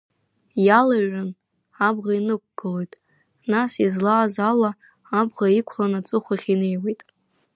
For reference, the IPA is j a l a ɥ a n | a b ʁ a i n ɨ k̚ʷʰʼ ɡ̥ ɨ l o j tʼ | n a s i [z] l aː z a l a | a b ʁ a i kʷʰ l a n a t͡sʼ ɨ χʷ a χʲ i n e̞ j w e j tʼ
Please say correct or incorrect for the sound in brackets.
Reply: correct